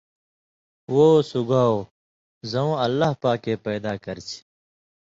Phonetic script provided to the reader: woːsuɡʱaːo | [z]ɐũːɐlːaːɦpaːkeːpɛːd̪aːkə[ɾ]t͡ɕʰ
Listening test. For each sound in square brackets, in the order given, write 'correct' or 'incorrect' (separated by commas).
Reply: correct, correct